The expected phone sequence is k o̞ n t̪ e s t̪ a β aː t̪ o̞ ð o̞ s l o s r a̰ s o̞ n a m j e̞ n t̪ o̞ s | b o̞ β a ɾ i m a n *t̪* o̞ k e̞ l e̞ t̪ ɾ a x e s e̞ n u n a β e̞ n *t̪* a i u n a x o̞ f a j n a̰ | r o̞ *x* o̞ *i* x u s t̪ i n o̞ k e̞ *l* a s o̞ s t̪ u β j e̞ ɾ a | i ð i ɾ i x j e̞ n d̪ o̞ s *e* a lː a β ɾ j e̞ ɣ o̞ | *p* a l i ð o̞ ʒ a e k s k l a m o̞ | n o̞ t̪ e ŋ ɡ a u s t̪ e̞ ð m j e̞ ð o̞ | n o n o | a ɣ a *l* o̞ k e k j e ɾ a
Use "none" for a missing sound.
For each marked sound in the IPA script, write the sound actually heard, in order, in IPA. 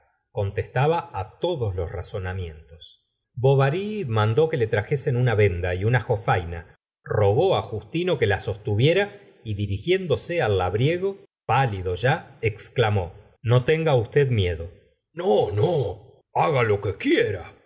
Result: d̪, d̪, ɣ, a, l, e, p, l

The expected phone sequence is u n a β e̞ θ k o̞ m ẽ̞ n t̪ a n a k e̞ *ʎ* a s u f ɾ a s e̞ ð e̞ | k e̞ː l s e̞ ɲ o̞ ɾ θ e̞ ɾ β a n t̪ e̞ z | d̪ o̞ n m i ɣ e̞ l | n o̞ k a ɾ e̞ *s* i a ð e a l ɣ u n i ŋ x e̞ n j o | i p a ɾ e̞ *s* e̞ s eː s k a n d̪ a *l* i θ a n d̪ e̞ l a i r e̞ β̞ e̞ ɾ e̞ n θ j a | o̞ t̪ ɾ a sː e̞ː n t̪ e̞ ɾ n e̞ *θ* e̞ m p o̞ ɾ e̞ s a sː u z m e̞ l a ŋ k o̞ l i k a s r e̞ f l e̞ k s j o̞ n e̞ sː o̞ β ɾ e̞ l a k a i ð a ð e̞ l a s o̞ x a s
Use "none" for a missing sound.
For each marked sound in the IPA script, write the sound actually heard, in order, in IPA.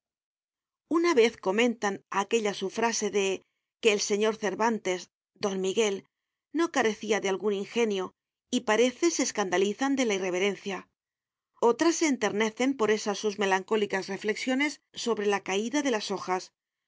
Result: ʎ, θ, θ, l, θ

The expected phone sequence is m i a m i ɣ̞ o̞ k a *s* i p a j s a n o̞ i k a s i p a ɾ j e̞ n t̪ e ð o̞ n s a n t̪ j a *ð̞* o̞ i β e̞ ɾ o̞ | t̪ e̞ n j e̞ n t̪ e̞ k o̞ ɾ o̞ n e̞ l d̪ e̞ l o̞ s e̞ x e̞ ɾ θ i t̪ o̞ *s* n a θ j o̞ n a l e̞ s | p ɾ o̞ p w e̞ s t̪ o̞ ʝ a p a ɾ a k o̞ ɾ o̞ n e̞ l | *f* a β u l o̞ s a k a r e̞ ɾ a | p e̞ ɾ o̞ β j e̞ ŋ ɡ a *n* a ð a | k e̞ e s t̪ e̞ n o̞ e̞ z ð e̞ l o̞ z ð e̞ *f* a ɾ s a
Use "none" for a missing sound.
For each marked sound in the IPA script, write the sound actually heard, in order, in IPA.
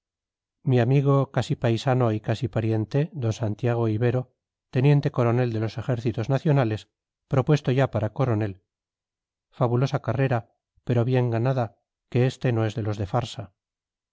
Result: s, ɣ̞, z, f, n, f

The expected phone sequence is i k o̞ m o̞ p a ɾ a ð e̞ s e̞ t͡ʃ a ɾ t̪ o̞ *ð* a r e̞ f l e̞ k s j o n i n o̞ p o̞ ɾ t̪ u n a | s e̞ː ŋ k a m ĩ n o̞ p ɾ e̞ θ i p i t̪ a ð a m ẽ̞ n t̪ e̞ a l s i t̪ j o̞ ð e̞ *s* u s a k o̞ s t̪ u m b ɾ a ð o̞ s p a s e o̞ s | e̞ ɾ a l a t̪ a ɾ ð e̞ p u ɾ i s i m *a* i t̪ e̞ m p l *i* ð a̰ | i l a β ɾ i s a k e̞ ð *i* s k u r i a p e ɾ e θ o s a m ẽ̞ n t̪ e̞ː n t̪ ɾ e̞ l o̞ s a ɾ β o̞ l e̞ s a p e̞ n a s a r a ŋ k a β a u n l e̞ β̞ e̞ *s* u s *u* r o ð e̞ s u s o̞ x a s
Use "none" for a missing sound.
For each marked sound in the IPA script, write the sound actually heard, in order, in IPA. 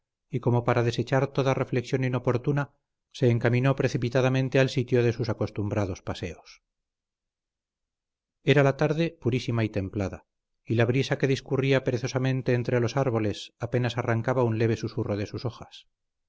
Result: ð, s, a, a, i, s, u

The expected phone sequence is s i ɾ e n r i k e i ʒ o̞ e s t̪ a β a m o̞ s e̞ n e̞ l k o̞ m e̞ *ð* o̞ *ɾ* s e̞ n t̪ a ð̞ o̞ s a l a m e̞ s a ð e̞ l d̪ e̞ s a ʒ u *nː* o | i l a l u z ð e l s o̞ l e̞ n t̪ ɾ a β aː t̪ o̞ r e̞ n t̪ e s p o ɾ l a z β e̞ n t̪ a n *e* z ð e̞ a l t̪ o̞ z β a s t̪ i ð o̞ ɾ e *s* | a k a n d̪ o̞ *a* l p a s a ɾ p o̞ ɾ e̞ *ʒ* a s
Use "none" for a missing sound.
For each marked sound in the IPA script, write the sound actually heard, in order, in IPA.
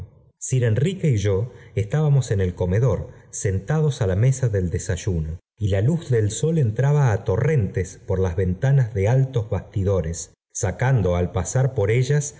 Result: ð, ɾ, n, a, sː, a, ʒ

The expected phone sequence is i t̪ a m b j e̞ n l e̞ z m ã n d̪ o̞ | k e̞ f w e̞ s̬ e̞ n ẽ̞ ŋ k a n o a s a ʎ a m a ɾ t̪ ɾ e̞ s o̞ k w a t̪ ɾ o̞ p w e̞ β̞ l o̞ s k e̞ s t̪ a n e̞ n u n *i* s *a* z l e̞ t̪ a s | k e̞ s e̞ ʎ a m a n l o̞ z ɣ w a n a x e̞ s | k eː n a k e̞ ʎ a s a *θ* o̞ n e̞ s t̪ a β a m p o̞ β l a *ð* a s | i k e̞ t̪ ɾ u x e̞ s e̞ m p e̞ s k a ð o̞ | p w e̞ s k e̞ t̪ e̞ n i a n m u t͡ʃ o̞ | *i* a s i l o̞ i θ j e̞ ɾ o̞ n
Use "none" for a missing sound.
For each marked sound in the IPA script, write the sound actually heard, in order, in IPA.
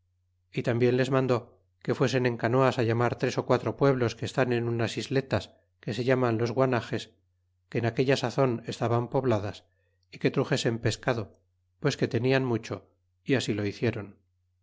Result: a, i, θ, ð, i

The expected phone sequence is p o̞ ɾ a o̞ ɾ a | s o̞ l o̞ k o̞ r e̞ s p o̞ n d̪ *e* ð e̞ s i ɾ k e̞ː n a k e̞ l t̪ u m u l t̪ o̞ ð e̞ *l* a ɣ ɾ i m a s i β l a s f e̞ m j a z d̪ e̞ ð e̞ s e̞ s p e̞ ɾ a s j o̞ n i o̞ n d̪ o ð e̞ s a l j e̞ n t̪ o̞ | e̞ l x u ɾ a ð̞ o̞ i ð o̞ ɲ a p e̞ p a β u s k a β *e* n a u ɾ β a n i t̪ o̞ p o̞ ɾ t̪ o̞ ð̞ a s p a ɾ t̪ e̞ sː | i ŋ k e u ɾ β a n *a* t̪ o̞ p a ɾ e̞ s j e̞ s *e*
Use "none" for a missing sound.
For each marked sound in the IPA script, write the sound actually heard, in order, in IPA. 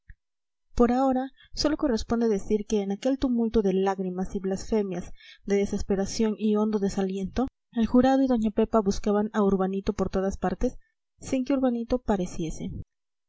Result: e, l, a, i, e

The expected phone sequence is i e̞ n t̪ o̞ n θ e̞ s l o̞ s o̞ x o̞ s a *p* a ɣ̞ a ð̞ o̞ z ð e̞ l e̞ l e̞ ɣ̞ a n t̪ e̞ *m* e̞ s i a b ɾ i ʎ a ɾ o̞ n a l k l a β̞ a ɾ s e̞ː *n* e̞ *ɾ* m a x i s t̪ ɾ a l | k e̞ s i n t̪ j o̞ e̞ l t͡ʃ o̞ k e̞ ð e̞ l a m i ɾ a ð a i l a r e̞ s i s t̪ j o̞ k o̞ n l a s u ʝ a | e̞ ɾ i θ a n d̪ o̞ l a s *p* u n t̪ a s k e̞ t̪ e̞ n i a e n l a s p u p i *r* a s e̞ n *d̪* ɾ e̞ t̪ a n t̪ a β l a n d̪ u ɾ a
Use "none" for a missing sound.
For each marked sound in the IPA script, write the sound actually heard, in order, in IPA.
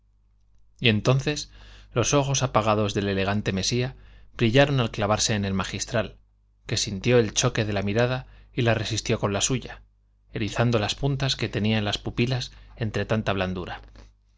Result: p, m, n, l, p, l, t̪

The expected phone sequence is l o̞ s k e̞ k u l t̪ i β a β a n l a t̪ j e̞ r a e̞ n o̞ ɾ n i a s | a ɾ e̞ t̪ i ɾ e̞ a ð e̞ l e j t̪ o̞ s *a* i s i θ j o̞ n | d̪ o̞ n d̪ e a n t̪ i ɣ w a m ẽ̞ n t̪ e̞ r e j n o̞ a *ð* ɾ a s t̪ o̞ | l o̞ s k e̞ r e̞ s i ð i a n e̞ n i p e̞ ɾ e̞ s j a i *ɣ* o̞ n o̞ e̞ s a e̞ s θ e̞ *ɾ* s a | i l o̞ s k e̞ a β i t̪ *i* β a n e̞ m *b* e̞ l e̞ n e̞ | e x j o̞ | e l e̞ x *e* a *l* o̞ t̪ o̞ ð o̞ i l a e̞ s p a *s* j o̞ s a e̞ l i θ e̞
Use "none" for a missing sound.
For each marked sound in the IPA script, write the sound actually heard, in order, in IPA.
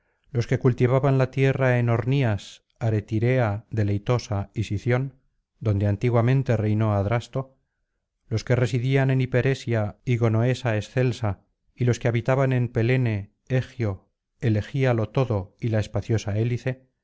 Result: a, ð, ɣ, l, a, p, i, l, θ

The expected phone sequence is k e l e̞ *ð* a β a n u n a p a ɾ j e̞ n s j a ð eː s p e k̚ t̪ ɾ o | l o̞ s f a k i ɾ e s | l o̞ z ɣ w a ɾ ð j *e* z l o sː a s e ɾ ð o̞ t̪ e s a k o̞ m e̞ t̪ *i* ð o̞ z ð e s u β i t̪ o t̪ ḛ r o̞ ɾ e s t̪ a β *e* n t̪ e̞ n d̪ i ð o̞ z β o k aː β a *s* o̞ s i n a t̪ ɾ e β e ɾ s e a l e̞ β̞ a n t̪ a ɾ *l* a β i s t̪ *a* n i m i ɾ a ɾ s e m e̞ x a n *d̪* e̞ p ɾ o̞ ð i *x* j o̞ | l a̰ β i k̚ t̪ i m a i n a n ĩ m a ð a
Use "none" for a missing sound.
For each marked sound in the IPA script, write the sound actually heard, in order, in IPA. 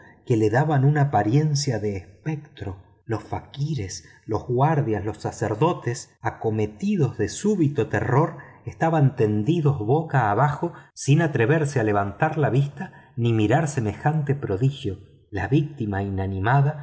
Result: ð, a, i, a, x, l, a, t̪, x

